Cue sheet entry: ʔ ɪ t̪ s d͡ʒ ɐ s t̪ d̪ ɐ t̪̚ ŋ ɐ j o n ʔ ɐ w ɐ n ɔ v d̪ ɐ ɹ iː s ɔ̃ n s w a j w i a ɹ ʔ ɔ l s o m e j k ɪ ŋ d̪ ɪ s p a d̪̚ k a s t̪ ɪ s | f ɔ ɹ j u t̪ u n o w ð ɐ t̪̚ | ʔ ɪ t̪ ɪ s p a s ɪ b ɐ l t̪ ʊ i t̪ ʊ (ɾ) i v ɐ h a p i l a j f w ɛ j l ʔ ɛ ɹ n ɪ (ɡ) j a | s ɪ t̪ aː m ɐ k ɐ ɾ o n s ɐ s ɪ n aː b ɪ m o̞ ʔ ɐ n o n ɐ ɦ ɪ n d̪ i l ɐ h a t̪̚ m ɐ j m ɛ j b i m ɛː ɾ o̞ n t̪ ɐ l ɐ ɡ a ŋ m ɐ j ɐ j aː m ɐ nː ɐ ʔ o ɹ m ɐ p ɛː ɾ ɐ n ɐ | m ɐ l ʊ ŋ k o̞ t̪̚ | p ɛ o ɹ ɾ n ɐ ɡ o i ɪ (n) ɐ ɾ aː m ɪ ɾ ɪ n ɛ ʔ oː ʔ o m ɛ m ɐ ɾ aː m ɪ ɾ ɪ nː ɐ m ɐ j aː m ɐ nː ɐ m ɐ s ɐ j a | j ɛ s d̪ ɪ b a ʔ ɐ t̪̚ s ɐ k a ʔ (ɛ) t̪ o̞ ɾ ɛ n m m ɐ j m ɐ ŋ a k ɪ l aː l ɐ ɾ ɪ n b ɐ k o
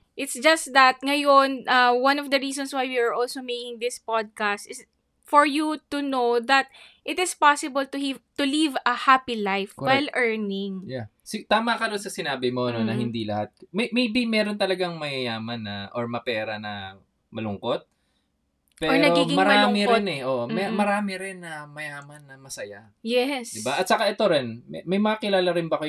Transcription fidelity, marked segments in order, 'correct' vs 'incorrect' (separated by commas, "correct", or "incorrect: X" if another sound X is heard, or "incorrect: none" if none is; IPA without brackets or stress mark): incorrect: l, incorrect: ŋ, incorrect: m, correct